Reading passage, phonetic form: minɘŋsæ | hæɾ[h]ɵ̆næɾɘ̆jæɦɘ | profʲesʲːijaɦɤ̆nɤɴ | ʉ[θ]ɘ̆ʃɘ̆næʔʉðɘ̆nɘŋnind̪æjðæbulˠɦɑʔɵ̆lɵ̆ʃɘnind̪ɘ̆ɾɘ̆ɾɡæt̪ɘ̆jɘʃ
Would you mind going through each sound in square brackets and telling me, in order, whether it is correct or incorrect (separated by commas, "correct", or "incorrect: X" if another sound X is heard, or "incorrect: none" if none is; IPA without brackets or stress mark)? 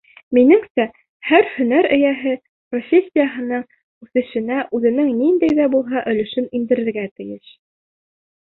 correct, correct